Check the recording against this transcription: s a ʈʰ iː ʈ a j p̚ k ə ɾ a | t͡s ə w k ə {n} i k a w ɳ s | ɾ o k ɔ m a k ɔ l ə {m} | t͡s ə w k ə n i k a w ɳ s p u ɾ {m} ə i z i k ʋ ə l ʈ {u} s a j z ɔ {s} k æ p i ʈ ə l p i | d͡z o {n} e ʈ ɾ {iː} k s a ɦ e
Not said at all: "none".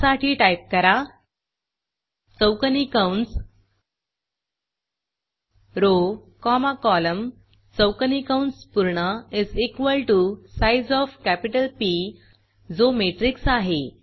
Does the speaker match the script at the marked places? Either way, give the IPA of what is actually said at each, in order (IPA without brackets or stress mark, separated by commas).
n, m, ɳ, u, f, m, i